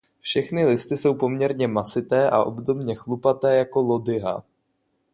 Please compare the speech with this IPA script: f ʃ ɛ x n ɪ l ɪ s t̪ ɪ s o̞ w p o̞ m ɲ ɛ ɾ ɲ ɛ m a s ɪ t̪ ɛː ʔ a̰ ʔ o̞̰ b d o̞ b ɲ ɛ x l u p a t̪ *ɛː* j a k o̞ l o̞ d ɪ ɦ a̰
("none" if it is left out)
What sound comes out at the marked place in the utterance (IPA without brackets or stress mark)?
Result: ɛː